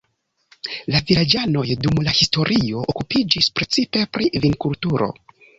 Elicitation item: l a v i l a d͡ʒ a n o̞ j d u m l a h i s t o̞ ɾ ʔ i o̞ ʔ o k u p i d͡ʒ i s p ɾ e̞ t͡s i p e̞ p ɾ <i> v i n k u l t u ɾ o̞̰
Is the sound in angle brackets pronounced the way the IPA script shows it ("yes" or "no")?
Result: yes